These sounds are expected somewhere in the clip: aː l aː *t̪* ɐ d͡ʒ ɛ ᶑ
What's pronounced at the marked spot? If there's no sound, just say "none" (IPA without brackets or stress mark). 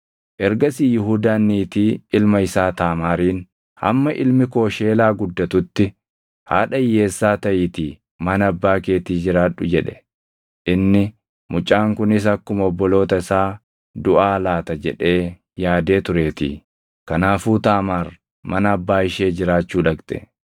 t̪